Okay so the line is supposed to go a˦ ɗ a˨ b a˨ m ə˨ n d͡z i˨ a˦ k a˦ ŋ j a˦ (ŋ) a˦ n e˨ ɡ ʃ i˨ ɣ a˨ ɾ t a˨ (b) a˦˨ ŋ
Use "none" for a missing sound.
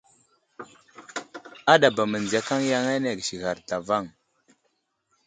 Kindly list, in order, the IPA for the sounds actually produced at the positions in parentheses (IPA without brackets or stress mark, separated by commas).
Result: ŋ, v